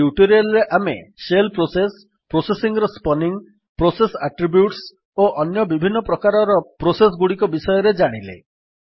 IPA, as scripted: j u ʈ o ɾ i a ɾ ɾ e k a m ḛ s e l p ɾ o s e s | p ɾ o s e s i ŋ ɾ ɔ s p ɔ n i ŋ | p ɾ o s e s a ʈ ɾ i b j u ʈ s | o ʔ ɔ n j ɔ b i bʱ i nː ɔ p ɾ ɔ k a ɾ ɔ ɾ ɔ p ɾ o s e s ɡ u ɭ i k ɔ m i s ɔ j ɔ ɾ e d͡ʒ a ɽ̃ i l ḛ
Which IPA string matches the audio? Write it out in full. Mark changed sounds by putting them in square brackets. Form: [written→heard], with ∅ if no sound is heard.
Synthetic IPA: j u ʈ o ɾ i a [ɾ→l] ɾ e [k→ʔ] a m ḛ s e l p ɾ o s e s | p ɾ o s e s i ŋ ɾ ɔ s p ɔ n i ŋ | p ɾ o s e s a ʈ ɾ i b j u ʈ s | o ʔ ɔ n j ɔ b i bʱ i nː ɔ p ɾ ɔ k a ɾ ɔ ɾ ɔ p ɾ o s e s ɡ u [ɭ→ɽ] i k ɔ [m→b] i s ɔ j ɔ ɾ e d͡ʒ a ɽ̃ i l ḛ